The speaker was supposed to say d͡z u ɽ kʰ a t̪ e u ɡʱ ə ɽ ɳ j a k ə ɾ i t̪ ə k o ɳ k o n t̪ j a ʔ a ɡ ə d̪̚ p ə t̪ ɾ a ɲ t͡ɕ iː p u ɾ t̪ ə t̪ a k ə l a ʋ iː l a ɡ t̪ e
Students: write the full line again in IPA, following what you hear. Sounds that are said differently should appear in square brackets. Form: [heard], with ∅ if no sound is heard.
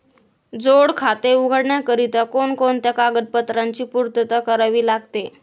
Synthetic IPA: d͡z [o] ɽ kʰ a t̪ e u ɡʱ ə ɽ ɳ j a k ə ɾ i t̪ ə k o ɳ k o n t̪ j a [k] a ɡ ə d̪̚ p ə t̪ ɾ a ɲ t͡ɕ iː p u ɾ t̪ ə t̪ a k ə [ɾ] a ʋ iː l a ɡ t̪ e